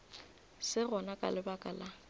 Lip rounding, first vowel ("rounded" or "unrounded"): unrounded